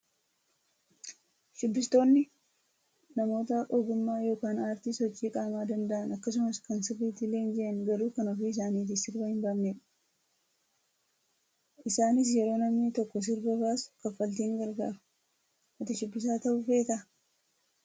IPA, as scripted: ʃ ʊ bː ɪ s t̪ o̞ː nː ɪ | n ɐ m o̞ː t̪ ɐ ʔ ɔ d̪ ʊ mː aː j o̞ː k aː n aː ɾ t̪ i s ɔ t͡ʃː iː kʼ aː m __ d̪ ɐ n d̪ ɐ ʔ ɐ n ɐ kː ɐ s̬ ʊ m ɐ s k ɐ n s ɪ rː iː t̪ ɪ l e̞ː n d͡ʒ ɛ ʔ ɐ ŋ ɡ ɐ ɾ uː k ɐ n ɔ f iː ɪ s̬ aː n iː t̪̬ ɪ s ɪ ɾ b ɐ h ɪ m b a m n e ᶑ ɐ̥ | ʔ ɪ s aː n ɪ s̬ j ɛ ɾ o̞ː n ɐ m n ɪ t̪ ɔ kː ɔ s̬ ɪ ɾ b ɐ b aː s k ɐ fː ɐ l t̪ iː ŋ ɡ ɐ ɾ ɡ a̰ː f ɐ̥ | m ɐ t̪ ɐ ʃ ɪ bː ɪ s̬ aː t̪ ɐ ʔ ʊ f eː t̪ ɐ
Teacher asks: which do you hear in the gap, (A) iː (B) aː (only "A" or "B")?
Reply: B